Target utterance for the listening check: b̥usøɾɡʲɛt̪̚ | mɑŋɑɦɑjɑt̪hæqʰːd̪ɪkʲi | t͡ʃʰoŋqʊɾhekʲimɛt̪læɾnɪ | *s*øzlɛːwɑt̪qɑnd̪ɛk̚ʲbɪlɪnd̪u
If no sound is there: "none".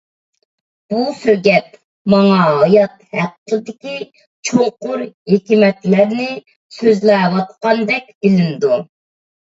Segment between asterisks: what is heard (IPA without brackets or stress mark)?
s